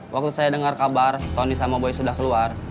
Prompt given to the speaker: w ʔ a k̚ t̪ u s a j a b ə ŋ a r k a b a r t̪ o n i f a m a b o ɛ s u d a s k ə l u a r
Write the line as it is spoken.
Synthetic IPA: w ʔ a k̚ t̪ u s a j a d ə ŋ a r k a b a r t̪ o n i s a m a b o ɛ s u d a h k ə l u a r